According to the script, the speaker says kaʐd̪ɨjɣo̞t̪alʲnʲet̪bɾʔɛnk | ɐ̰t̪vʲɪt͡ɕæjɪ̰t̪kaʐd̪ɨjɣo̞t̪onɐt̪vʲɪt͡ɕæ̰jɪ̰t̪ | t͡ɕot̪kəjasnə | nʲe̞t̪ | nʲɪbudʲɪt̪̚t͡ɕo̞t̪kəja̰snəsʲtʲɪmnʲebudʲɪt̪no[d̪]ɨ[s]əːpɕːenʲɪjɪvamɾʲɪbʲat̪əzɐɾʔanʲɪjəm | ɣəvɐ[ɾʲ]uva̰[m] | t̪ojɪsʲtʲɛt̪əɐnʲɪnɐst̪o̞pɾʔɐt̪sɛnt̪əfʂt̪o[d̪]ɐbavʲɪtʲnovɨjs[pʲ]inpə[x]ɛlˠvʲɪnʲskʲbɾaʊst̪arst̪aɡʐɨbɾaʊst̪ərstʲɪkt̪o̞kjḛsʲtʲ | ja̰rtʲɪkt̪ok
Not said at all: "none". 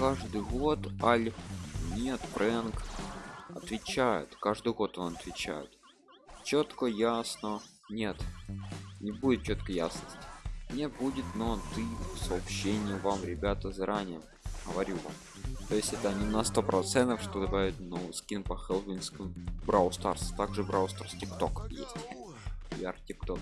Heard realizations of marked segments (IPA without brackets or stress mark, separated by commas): t̪, s, ɾʲ, m, d̪, kʲ, x